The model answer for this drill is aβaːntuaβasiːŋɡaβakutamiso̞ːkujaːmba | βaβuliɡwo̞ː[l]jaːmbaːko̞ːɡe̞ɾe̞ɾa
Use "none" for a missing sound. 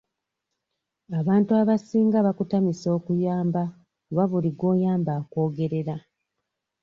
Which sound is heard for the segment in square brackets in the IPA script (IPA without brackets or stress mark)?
none